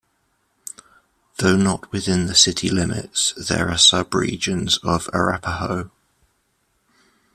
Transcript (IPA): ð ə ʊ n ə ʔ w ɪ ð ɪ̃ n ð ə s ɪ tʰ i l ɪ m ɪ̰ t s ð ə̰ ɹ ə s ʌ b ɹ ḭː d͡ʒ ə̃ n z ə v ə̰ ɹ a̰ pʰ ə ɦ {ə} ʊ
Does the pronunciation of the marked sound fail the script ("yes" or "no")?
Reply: no